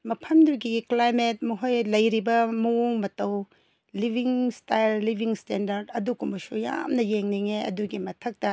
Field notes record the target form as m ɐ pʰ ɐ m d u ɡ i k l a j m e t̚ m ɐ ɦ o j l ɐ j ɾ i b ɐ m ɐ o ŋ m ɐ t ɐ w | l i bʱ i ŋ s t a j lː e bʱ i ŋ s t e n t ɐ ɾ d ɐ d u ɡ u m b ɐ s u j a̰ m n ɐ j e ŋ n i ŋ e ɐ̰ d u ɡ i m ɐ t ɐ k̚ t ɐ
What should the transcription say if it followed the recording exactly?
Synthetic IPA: m ɐ pʰ ɐ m d u ɡ i k l a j m e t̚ m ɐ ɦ o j l ɐ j ɾ i b ɐ m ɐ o ŋ m ɐ t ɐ w | l i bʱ i ŋ s t a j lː i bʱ i ŋ s t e n d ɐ ɾ d ɐ d u ɡ u m b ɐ s u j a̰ m n ɐ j e ŋ n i ŋ e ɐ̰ d u ɡ i m ɐ tʰ ɐ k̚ t ɐ